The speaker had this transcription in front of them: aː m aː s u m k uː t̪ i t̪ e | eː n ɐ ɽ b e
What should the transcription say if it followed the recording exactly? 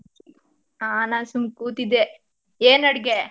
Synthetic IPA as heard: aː n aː s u m k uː t̪ i d̪ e | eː n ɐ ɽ ɡ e